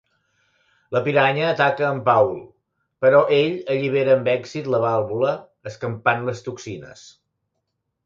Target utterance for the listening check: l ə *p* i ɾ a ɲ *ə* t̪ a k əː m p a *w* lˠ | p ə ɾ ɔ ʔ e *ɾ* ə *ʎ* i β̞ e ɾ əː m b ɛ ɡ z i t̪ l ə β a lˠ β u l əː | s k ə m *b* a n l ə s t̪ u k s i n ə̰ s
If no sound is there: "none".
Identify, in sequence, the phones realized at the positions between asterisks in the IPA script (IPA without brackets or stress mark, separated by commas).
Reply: p, əː, w, ʎ, ʎ, p